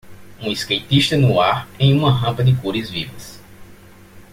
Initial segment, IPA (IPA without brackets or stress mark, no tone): ũ